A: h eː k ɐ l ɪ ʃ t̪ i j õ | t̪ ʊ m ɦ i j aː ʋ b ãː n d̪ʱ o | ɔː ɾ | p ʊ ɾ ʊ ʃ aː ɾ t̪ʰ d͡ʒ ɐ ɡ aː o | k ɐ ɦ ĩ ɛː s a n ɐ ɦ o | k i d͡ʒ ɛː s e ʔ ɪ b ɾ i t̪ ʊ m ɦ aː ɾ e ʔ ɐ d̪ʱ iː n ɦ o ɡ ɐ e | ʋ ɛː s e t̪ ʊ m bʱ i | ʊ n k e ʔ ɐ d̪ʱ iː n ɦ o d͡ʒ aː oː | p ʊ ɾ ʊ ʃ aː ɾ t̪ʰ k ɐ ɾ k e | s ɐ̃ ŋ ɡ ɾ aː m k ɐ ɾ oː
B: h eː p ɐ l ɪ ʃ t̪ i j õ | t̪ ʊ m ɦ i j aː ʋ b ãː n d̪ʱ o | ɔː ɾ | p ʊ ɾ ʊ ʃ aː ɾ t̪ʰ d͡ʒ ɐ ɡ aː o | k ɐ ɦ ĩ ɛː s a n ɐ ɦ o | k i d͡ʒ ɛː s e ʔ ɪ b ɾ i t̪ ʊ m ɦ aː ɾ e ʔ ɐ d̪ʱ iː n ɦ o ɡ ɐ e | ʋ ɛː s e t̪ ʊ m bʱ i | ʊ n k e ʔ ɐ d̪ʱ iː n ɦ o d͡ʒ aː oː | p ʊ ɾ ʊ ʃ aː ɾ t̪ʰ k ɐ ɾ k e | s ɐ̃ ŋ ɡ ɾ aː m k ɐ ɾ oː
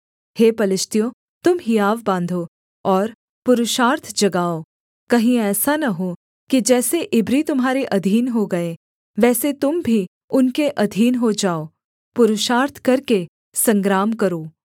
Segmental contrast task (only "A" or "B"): B